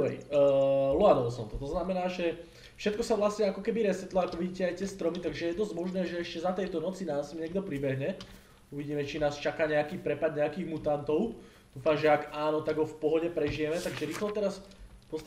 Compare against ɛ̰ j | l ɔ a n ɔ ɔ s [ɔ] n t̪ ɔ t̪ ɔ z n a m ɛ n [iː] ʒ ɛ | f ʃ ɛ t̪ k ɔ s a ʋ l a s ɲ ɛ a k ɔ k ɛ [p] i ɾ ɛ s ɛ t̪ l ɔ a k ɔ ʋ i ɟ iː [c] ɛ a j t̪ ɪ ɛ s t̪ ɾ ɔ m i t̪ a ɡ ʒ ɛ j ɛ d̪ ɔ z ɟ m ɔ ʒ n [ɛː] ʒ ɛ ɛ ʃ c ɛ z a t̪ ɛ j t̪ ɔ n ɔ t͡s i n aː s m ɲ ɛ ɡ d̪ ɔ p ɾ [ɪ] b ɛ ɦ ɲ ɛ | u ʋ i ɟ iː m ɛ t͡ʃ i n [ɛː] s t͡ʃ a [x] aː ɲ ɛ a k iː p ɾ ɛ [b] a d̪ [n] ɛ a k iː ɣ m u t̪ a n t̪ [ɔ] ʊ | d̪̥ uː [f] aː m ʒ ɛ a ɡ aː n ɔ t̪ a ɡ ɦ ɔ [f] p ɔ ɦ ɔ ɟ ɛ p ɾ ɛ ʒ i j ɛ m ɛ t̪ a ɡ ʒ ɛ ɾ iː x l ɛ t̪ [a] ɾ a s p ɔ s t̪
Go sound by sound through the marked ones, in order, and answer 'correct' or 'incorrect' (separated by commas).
correct, incorrect, incorrect, correct, correct, incorrect, incorrect, incorrect, incorrect, incorrect, correct, correct, correct, incorrect